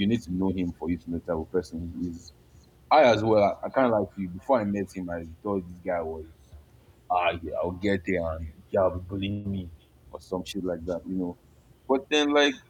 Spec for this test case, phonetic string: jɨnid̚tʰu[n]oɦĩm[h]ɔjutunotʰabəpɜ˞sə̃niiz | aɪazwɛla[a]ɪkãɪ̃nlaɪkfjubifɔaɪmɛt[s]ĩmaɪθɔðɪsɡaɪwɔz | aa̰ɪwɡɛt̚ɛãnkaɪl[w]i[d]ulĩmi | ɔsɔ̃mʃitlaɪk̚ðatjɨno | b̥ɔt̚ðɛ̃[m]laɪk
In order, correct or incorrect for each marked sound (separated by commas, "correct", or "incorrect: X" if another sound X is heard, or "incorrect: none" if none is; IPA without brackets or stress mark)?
correct, incorrect: f, correct, incorrect: h, incorrect: b, incorrect: b, incorrect: n